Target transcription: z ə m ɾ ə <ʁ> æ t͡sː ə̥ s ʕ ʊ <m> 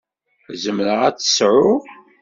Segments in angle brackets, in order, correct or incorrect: correct, incorrect

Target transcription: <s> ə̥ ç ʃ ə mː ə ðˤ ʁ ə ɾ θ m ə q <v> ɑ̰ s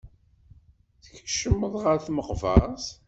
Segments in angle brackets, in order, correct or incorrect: incorrect, correct

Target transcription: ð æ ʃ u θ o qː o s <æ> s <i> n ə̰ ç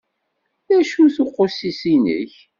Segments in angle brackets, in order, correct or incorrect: incorrect, correct

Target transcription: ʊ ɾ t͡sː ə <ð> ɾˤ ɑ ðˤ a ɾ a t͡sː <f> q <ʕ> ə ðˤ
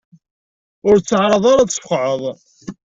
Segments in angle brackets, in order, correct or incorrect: incorrect, correct, correct

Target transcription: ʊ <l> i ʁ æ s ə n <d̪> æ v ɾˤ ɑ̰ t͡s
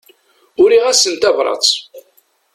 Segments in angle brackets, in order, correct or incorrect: incorrect, incorrect

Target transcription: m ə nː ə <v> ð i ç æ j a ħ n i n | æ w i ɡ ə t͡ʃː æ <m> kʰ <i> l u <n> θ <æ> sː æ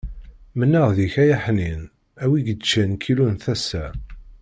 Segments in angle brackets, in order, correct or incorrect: incorrect, incorrect, correct, correct, correct

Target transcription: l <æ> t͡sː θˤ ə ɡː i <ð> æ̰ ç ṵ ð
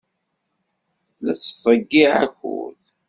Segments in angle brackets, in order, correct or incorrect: correct, incorrect

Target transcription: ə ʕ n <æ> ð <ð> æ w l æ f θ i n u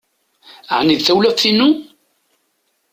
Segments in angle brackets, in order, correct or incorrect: incorrect, incorrect

